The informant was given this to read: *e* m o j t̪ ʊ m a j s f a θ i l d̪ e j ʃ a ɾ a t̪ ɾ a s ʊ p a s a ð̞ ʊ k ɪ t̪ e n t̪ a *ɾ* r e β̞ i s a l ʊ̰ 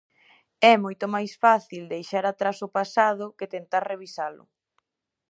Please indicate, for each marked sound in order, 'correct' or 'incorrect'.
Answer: incorrect: ɛ, correct

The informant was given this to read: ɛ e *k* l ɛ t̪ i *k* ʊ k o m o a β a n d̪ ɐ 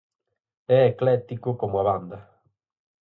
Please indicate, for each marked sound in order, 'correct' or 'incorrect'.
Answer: correct, correct

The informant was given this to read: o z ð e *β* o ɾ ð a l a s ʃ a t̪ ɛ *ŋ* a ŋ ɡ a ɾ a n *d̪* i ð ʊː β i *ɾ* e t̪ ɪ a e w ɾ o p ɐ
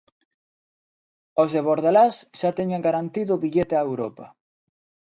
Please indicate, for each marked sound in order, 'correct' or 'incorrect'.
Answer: correct, incorrect: ɲ, incorrect: t̪, incorrect: ʎ

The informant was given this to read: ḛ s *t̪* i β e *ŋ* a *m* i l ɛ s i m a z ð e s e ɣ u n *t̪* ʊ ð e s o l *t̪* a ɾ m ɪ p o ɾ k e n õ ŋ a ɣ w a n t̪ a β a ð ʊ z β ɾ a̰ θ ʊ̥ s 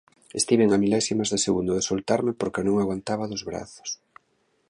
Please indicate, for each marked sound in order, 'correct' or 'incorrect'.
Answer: correct, correct, correct, incorrect: d̪, correct

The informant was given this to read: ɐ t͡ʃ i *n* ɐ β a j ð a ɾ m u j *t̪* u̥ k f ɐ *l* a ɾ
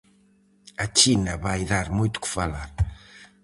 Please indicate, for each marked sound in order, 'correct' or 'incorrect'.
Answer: correct, correct, correct

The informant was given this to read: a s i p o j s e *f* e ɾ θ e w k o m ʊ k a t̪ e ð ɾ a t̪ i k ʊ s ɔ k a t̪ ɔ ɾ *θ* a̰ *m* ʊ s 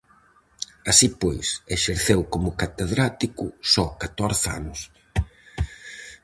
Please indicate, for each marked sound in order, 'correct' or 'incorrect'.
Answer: incorrect: ʃ, correct, incorrect: n

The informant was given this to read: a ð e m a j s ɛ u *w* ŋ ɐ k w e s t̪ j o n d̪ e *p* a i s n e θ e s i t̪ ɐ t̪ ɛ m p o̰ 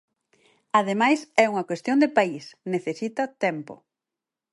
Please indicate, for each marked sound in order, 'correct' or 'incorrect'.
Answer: incorrect: none, correct

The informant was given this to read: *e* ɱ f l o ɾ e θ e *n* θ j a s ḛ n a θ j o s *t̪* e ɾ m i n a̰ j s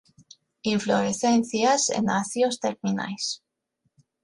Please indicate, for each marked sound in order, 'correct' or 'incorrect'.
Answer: incorrect: i, correct, correct

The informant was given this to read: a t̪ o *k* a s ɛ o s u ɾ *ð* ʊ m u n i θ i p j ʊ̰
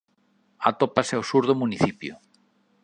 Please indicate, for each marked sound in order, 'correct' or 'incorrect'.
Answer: incorrect: p, correct

